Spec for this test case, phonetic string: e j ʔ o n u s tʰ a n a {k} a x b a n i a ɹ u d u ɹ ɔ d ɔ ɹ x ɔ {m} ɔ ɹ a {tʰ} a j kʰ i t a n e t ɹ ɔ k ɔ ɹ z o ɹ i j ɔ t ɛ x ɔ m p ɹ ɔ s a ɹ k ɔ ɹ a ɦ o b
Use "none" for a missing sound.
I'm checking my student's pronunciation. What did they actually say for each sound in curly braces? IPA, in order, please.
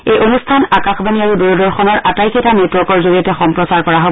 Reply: k, n, t

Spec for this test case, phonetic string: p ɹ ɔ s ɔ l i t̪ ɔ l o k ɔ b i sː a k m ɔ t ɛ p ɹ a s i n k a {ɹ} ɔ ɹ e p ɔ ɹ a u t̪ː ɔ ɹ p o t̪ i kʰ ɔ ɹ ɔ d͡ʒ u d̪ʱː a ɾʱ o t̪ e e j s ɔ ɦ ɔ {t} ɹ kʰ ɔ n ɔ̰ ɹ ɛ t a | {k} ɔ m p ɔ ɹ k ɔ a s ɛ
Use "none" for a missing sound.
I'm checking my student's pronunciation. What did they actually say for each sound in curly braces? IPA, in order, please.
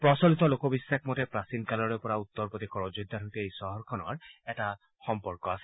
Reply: l, none, x

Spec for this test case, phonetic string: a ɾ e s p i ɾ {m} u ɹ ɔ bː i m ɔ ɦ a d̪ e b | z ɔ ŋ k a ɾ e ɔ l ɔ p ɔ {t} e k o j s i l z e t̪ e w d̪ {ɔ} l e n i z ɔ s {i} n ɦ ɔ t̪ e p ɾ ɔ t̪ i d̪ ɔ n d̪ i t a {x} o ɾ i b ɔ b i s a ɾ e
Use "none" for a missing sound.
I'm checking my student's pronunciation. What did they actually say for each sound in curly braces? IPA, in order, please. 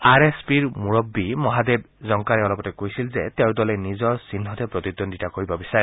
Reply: m, t, ɔ, i, k

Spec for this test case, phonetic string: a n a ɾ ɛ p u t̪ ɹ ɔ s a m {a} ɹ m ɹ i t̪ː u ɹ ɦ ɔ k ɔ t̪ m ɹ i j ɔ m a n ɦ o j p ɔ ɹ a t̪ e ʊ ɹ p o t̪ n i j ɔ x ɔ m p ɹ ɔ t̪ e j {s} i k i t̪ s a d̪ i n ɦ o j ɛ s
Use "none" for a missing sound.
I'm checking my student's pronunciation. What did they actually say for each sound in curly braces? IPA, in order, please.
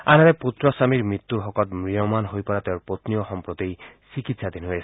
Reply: i, s

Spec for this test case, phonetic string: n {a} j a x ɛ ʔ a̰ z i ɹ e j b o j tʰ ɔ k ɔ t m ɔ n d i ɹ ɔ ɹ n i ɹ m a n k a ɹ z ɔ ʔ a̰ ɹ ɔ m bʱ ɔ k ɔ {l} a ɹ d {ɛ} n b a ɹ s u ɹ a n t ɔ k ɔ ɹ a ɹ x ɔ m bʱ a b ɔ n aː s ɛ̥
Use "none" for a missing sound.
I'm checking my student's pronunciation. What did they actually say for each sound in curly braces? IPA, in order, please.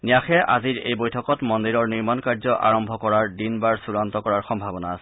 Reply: i, ɹ, i

